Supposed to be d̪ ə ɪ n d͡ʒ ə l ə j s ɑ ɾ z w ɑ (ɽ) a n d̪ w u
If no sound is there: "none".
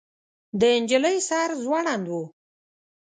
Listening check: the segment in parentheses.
ɽ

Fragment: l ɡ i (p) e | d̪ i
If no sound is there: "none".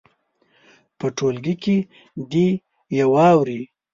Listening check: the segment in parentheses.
k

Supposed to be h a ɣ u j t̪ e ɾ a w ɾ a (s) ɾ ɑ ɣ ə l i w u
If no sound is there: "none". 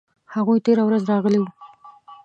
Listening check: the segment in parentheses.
z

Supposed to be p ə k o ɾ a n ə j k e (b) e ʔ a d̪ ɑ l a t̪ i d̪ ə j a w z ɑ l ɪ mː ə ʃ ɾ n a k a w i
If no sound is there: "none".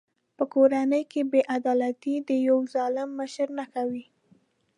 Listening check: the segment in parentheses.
b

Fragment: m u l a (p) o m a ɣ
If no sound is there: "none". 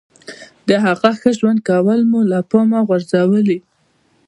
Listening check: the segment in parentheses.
p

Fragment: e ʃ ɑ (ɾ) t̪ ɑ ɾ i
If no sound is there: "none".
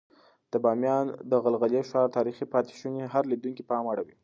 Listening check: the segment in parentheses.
ɾ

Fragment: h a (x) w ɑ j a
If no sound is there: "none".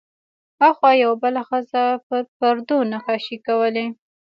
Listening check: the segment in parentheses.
x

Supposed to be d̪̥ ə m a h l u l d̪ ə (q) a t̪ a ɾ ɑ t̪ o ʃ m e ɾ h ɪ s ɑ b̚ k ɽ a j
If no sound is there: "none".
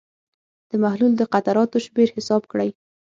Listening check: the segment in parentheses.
q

